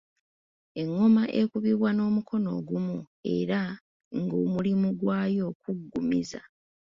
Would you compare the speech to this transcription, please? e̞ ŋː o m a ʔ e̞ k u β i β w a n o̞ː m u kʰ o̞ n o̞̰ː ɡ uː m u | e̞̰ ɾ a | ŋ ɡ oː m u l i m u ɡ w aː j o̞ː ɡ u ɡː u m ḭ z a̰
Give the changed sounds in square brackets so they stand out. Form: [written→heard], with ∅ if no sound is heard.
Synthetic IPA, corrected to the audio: e̞ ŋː o m a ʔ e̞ k u β i β w a n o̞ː m u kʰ o̞ n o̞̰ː ɡ [uː→u] m u | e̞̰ ɾ a | ŋ ɡ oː m u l i m u ɡ w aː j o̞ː [ɡ→k] u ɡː u m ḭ z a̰

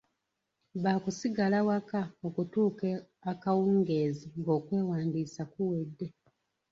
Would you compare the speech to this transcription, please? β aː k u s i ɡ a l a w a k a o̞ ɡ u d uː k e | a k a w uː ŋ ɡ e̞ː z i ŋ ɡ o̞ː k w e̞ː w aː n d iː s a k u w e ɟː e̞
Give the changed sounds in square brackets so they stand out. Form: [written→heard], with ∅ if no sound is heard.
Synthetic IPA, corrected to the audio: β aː k u s i ɡ a l a w a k a o̞ [ɡ→k] u [d→t] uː k e | a k a w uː ŋ ɡ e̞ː z i ŋ ɡ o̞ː k w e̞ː w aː n d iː s a k u w e [ɟː→dː] e̞

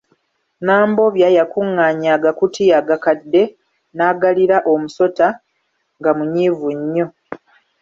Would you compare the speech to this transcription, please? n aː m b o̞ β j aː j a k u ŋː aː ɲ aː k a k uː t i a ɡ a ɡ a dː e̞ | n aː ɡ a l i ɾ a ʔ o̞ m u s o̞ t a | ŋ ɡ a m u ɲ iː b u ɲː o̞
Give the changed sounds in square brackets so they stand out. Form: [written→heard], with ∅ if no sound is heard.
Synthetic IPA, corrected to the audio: n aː m b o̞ β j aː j a k u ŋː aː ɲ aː [k→ɡ] a k [uː→u] t i a ɡ a [ɡ→k] a dː e̞ | n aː ɡ a l i ɾ a ʔ o̞ m u s o̞ t a | ŋ ɡ a m u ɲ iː [b→v] u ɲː o̞

